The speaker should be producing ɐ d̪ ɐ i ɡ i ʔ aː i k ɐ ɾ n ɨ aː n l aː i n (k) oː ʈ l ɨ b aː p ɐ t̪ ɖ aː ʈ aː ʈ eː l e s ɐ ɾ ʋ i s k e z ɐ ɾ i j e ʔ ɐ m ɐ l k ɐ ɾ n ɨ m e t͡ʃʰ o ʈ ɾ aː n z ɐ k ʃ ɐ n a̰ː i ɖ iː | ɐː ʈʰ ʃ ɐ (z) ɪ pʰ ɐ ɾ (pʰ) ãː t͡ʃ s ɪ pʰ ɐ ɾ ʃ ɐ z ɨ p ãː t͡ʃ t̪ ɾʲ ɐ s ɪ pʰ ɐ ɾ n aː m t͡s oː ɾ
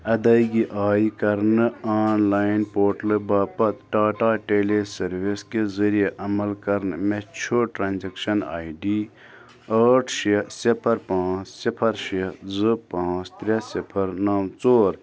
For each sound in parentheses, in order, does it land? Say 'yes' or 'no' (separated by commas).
no, no, no